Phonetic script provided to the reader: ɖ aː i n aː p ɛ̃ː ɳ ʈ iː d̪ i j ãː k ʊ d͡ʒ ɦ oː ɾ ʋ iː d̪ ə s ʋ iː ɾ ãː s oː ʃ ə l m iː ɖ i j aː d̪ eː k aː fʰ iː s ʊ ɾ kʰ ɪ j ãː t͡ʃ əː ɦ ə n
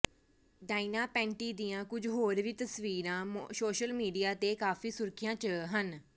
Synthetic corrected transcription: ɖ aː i n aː p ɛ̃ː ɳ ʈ iː d̪ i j ãː k ʊ d͡ʒ ɦ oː ɾ ʋ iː t̪ ə s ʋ iː ɾ ãː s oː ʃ ə l m iː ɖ i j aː t̪ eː k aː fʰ iː s ʊ ɾ kʰ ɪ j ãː t͡ʃ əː ɦ ə n